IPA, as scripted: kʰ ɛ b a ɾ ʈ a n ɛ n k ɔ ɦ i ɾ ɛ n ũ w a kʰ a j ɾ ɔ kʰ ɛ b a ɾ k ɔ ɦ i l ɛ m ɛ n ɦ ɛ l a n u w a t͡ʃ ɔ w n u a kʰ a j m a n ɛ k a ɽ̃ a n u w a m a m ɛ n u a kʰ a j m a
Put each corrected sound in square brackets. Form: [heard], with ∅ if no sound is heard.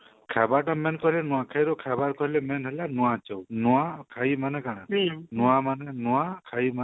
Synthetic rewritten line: kʰ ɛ b a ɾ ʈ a [m] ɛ n k ɔ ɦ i [l] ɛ n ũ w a kʰ a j ɾ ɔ kʰ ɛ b a ɾ k ɔ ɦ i l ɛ m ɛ n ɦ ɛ l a n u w a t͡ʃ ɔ w n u a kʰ a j m a n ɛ k a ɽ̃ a n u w a m a [n] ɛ n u a kʰ a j m a